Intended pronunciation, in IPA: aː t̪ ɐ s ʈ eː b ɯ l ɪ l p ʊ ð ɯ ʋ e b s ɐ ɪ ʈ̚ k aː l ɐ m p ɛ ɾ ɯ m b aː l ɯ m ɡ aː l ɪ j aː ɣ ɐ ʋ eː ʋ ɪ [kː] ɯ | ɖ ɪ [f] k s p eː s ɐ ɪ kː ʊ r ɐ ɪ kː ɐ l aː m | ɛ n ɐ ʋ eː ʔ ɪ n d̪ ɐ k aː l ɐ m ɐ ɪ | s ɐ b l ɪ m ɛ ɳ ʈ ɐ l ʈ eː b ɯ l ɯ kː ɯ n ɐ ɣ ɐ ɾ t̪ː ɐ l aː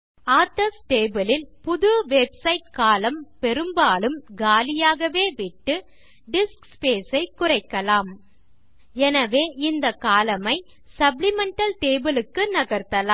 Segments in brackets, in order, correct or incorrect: incorrect: ʈː, incorrect: s

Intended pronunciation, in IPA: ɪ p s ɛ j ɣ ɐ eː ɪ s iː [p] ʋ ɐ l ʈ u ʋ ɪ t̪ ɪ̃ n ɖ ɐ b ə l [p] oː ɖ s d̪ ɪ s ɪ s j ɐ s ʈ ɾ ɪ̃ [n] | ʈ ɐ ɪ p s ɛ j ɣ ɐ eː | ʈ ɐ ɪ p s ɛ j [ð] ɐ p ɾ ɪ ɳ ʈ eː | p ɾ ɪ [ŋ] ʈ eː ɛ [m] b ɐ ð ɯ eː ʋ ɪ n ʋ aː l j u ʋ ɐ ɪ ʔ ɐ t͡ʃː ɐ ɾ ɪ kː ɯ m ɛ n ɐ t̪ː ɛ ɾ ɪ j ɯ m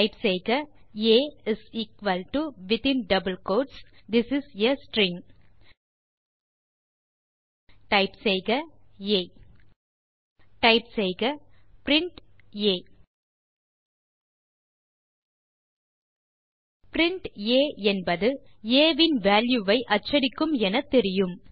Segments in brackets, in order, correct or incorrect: incorrect: k, incorrect: k, incorrect: ŋ, incorrect: ɣ, incorrect: ɳ, incorrect: n

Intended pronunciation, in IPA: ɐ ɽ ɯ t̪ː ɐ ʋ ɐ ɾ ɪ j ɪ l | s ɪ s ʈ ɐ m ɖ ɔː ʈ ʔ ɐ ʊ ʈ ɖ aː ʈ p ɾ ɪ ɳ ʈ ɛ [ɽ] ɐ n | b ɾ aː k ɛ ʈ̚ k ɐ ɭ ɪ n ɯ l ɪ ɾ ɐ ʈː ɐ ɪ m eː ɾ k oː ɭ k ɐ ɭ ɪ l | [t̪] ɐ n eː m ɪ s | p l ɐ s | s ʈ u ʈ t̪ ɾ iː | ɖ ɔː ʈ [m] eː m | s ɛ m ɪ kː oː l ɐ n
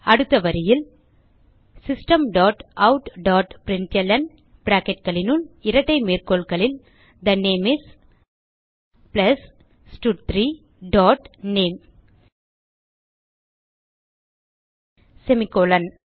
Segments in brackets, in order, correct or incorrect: incorrect: l, incorrect: d̪, incorrect: n

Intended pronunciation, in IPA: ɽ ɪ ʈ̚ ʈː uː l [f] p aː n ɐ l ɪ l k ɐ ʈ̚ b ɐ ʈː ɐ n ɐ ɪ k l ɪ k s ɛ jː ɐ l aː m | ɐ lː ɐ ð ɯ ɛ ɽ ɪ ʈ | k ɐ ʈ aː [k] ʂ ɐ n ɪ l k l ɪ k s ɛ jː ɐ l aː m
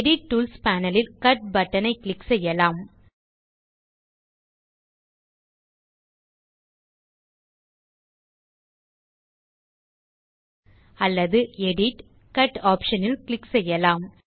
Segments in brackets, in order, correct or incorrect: incorrect: s, incorrect: p

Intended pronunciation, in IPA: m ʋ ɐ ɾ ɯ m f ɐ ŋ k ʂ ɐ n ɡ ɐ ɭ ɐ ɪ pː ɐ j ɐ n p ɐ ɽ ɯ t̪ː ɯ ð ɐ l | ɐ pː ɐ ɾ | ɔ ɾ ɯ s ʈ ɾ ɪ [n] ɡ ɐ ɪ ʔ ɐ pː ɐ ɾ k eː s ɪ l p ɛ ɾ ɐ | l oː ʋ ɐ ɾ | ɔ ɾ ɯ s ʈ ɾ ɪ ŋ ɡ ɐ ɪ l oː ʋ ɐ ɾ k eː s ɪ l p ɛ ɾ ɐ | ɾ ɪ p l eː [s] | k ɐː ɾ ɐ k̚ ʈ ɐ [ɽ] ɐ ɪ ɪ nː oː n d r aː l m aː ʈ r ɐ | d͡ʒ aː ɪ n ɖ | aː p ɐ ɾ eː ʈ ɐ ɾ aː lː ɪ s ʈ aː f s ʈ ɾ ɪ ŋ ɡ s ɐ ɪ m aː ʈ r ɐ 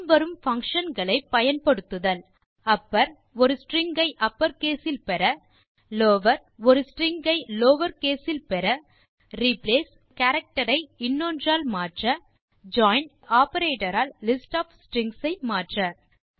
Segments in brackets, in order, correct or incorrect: incorrect: ŋ, correct, incorrect: ɾ

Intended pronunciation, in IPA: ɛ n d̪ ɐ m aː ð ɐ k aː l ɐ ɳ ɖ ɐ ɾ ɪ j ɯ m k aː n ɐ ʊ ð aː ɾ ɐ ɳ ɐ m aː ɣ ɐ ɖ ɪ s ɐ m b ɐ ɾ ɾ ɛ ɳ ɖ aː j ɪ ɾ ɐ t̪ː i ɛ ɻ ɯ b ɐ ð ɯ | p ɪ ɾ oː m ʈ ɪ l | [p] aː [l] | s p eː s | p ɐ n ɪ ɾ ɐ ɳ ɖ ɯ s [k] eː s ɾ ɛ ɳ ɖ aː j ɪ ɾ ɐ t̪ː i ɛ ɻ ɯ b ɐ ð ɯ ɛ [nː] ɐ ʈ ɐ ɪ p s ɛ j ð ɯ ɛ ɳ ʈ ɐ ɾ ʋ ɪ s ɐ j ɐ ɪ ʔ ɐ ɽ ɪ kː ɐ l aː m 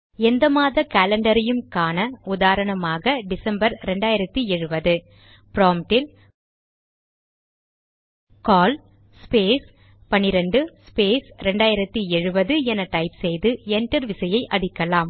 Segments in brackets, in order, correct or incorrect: incorrect: k, correct, incorrect: p, incorrect: n

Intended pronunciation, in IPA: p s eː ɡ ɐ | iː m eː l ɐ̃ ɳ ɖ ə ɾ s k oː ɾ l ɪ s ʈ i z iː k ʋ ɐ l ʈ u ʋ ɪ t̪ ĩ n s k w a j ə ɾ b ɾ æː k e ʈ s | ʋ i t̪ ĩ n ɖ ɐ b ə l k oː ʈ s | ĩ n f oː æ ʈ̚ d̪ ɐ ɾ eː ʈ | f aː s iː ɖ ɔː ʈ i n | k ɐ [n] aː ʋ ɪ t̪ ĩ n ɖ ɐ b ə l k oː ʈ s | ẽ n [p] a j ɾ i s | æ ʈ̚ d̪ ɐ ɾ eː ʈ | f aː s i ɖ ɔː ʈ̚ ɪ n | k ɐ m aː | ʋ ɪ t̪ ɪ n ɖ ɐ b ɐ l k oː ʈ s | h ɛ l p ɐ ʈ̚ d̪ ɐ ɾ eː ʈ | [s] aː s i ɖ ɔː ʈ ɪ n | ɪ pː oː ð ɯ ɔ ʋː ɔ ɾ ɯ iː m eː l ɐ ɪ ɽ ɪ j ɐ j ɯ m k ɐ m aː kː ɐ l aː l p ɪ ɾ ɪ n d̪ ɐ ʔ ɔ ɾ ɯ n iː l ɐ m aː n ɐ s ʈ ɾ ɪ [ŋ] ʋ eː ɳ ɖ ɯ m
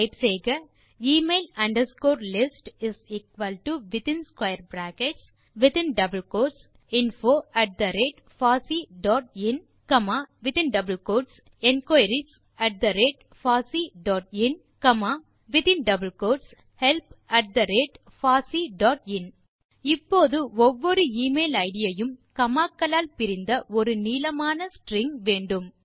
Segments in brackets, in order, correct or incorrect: incorrect: m, incorrect: k, incorrect: f, correct

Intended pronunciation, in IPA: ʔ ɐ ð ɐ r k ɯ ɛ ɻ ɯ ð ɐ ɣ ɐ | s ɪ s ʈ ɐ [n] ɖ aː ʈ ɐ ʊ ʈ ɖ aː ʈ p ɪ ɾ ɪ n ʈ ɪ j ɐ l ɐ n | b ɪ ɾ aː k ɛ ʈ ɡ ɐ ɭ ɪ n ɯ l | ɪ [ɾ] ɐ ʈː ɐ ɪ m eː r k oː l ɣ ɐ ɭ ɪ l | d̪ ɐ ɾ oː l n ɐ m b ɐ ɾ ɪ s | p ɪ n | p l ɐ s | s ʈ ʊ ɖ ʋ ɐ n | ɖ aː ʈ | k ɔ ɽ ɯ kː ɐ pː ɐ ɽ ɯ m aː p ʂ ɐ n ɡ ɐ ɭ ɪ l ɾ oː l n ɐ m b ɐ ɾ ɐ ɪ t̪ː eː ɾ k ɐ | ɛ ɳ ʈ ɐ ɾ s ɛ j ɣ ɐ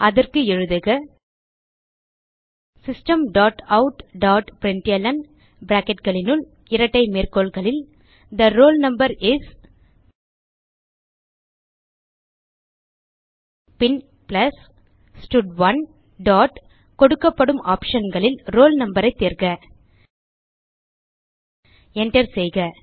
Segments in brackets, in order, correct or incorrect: incorrect: m, correct

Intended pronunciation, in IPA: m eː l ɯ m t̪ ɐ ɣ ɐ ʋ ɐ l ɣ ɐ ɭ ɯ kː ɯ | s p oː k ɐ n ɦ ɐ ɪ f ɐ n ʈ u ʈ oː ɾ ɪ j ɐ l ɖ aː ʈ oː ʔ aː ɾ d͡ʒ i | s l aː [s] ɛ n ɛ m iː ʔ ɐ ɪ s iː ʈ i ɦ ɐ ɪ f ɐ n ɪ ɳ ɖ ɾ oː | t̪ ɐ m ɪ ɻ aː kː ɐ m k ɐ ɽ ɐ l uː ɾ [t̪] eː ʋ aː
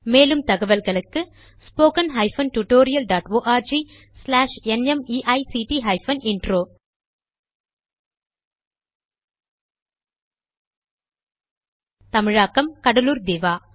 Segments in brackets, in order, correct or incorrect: incorrect: ʂ, incorrect: d̪

